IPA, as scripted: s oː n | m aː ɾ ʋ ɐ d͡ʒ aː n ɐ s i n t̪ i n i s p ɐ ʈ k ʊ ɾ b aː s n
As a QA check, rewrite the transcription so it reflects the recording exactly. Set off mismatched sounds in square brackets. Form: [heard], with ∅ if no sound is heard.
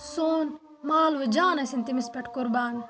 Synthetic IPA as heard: s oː n | m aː [l] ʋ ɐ d͡ʒ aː n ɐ s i n t̪ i [m] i s p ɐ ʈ k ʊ ɾ b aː [∅] n